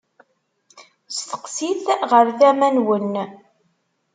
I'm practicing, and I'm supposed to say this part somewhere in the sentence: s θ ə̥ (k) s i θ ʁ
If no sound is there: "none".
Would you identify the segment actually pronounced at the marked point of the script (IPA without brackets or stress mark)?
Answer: q